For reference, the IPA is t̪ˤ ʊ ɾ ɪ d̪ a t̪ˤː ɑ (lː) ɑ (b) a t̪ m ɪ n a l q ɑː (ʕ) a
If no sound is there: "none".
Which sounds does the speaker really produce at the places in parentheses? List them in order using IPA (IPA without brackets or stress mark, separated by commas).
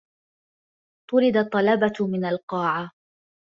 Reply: l, b, ʕ